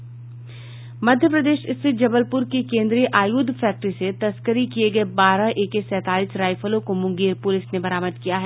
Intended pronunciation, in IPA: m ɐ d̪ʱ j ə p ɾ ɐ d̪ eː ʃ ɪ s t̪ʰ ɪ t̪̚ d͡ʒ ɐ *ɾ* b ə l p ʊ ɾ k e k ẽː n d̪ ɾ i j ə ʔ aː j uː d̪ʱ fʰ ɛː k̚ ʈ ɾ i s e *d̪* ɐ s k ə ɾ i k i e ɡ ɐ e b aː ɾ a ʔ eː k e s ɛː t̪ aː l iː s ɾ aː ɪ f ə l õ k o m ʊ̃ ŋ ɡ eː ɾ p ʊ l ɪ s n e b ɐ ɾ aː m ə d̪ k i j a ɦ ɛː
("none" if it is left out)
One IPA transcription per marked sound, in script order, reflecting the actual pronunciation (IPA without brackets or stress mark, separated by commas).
none, t̪